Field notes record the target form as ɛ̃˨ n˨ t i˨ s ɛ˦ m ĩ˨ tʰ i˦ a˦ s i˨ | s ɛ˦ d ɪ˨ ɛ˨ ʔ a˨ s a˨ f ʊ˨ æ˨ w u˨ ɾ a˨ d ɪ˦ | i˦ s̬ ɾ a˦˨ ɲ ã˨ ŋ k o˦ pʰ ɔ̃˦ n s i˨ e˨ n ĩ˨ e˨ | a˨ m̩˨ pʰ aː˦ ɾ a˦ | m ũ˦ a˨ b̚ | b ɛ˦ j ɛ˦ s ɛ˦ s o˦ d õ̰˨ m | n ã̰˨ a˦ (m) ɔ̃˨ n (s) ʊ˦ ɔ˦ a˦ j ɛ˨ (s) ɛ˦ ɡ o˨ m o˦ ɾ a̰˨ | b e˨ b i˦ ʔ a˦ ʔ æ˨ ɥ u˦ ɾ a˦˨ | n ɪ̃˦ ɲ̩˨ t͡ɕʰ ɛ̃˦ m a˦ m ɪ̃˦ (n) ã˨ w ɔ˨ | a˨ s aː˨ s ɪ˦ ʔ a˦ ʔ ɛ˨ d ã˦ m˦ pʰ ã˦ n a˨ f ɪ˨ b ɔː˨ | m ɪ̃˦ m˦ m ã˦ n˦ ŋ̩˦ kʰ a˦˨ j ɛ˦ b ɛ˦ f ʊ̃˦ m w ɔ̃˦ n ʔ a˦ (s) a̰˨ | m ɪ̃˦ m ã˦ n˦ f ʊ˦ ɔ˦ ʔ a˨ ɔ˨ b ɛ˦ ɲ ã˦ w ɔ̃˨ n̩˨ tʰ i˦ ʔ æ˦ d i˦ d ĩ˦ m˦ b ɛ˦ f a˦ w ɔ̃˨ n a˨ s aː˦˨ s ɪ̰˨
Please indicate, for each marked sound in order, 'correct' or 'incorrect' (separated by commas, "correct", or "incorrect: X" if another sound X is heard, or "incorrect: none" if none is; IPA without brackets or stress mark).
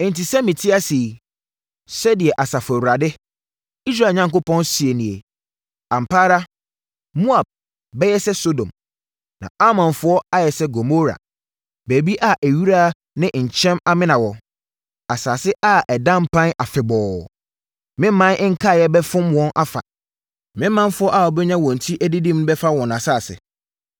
correct, incorrect: f, correct, correct, incorrect: f